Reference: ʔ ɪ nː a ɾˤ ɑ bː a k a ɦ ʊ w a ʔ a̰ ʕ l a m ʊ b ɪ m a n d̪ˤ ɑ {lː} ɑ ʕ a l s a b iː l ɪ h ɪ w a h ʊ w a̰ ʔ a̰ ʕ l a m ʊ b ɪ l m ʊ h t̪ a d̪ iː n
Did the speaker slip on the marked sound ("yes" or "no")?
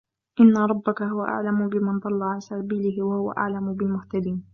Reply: no